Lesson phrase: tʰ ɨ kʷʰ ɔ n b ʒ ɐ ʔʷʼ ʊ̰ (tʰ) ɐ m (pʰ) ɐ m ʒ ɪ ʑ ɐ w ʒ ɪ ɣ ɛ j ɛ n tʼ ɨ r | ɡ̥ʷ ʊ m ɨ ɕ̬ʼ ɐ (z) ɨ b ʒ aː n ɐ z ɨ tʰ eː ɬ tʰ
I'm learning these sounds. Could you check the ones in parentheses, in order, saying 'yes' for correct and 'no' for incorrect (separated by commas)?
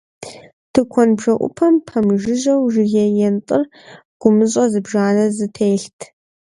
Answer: no, yes, yes